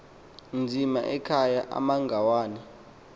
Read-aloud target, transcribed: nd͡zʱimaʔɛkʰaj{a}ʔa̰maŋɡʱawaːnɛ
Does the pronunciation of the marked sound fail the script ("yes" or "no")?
no